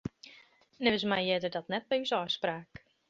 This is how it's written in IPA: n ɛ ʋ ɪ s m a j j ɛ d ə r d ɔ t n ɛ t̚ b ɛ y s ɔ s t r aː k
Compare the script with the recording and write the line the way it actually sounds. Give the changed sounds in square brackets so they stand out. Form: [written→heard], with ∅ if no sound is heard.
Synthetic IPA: n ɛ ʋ ɪ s m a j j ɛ d ə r d ɔ t n ɛ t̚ b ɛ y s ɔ s [t→p] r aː k